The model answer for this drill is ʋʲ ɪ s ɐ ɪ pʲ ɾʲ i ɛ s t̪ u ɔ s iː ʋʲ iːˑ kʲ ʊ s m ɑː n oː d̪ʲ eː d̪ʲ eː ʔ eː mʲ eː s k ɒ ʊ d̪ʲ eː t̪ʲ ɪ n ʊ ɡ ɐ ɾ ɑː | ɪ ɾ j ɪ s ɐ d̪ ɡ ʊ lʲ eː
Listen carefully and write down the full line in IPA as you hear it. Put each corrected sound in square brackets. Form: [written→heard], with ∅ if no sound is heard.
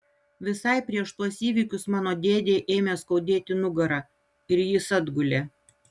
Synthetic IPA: ʋʲ ɪ s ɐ ɪ pʲ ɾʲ i ɛ [s→ʃ] t̪ u ɔ s iː ʋʲ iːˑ kʲ ʊ s m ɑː n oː d̪ʲ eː d̪ʲ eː ʔ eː mʲ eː s k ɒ ʊ d̪ʲ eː t̪ʲ ɪ n ʊ ɡ ɐ ɾ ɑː | ɪ ɾ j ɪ s ɐ d̪ ɡ ʊ lʲ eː